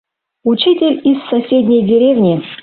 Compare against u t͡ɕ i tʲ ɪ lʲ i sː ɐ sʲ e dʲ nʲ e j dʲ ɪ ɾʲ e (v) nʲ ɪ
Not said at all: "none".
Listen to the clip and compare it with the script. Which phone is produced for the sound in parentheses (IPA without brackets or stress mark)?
v